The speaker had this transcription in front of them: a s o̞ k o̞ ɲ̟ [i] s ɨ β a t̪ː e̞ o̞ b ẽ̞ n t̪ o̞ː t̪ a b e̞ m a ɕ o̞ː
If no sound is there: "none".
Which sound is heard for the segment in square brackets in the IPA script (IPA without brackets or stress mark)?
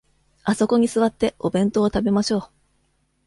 i